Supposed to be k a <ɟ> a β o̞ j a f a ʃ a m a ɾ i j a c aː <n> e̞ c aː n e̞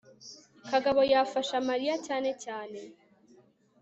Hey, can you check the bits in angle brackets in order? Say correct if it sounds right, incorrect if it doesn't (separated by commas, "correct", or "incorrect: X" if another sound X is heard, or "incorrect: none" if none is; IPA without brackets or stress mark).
incorrect: ɡ, correct